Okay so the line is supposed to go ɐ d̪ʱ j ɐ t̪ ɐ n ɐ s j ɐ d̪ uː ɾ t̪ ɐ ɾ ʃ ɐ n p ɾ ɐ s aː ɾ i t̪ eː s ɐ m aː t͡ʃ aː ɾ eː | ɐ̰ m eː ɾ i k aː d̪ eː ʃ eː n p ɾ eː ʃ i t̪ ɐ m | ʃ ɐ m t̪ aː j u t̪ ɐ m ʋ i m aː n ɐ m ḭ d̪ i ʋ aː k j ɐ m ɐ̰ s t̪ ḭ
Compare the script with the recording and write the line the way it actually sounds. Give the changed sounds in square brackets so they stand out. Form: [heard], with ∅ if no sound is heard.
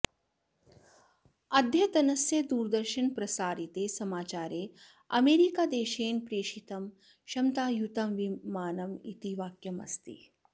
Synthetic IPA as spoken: ɐ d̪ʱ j ɐ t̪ ɐ n ɐ s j ɐ d̪ uː ɾ [d̪] ɐ ɾ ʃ ɐ n p ɾ ɐ s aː ɾ i t̪ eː s ɐ m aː t͡ʃ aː ɾ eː | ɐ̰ m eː ɾ i k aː d̪ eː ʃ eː n p ɾ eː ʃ i t̪ ɐ m | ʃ ɐ m t̪ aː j u t̪ ɐ m ʋ i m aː n ɐ m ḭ [t̪] i ʋ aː k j ɐ m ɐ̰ s t̪ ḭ